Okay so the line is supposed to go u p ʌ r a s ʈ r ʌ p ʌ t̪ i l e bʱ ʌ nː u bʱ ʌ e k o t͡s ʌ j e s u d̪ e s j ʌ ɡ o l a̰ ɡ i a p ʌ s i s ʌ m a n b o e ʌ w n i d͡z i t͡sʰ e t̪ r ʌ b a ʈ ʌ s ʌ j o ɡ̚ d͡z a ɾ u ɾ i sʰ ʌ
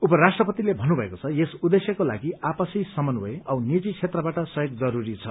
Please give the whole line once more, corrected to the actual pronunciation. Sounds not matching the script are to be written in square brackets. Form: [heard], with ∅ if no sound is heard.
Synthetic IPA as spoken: u p ʌ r a s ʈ r ʌ p ʌ t̪ i l e bʱ ʌ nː u bʱ ʌ e k o [t͡sʰ] ʌ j e s u d̪ e s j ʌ [k] o l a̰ ɡ i a p ʌ s i s ʌ m [ʌ] n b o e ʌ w n i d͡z i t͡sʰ e t̪ r ʌ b a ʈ ʌ s ʌ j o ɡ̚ d͡z [ʌ] ɾ u ɾ i [t͡sʰ] ʌ